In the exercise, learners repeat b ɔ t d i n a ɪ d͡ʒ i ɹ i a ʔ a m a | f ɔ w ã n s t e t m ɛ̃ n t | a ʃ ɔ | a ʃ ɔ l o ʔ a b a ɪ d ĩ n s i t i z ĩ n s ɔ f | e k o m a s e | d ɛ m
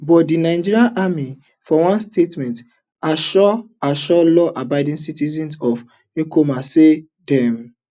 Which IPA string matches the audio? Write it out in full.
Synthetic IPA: b ɔ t d i n a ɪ d͡ʒ i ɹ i a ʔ a m i | f ɔ w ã n s t e t m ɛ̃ n t | a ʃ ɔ | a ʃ ɔ l ɔ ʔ a b a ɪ d ĩ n s i t i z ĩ n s ɔ f | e k o m a s e | d ɛ m